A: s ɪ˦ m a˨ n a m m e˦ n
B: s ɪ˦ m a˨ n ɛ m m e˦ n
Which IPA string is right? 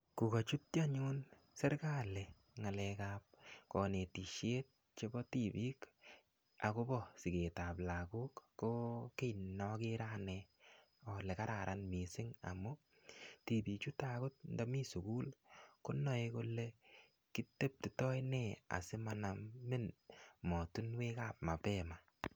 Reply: A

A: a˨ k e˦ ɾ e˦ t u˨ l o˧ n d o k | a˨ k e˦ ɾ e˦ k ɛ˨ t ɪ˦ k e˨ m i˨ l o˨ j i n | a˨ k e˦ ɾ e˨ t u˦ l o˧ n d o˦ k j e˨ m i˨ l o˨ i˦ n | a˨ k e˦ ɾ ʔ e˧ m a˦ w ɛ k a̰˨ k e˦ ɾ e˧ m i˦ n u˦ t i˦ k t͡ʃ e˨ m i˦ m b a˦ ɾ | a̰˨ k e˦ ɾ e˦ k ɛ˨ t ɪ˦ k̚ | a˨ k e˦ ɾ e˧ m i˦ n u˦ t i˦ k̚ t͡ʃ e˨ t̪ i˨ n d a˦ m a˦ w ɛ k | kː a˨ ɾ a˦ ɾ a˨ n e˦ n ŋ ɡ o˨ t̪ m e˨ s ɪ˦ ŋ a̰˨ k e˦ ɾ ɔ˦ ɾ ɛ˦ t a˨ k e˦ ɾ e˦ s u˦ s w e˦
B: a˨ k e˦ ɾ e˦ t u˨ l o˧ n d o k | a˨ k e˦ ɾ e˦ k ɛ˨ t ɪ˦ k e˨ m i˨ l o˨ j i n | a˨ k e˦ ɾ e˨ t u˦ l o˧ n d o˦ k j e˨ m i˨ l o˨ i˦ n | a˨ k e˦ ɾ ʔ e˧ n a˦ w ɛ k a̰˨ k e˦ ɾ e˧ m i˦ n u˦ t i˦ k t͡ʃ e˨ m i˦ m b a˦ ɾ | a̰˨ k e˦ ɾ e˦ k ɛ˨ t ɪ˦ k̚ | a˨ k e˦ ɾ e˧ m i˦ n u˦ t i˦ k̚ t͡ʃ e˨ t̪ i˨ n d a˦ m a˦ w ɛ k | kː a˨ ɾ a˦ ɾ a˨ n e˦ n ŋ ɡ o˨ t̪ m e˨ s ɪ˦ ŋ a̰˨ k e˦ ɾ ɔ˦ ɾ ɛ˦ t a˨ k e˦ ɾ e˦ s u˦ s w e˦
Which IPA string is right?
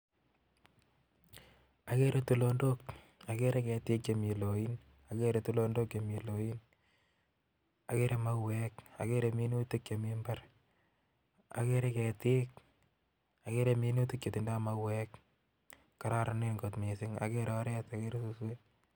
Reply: A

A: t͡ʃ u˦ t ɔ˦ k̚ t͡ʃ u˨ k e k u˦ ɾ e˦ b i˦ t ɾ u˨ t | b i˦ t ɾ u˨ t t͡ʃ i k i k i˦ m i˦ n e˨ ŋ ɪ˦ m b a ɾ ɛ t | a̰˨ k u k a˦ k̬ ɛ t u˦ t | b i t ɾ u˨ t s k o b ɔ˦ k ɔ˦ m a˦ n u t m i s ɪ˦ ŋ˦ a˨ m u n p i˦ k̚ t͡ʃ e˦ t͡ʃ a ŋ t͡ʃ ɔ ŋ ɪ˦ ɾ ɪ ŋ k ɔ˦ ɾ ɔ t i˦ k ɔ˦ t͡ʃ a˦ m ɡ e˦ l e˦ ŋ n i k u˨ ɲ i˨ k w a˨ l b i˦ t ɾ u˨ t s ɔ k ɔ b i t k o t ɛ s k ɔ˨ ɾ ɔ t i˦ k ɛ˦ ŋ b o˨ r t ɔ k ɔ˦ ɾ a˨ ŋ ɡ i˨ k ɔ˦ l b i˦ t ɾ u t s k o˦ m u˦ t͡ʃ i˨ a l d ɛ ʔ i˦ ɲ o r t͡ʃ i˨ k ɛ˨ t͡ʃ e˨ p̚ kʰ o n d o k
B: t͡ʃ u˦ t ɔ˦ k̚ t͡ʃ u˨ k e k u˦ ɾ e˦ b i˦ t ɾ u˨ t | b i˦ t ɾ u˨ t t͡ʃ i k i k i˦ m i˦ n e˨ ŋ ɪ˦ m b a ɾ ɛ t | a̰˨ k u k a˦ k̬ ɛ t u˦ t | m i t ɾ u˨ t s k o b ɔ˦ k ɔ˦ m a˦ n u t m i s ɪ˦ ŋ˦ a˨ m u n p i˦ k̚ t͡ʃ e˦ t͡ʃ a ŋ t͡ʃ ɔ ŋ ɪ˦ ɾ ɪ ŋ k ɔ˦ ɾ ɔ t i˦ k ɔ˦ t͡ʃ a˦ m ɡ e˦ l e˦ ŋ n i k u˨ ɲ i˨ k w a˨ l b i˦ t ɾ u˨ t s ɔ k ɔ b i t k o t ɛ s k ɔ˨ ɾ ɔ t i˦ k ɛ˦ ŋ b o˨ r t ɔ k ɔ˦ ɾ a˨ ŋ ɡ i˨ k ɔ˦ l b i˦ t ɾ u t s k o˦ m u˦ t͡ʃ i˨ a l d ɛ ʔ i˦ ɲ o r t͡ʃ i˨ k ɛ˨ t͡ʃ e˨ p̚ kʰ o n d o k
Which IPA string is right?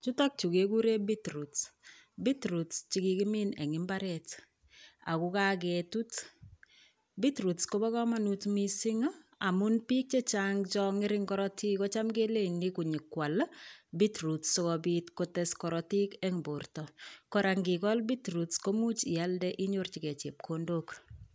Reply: A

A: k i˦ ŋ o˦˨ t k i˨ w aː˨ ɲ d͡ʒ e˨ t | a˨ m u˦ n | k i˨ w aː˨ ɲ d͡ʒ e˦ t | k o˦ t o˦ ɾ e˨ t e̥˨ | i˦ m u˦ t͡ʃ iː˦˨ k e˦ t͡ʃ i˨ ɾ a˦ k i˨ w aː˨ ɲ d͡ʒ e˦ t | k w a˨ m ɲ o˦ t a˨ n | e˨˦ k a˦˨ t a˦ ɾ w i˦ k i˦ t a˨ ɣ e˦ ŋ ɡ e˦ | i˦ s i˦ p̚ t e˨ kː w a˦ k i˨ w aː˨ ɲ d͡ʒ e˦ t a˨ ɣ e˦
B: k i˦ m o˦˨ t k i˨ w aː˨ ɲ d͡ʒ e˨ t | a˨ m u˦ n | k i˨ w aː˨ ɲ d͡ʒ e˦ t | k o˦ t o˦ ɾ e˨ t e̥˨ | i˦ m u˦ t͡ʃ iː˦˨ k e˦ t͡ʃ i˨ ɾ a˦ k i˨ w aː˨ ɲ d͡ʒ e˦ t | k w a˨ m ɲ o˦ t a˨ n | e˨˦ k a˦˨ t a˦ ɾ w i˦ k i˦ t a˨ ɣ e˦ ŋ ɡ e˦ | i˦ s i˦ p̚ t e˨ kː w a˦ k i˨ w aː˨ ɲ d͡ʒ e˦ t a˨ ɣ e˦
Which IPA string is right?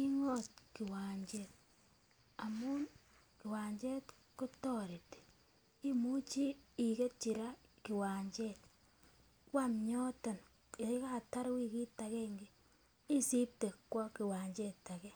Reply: A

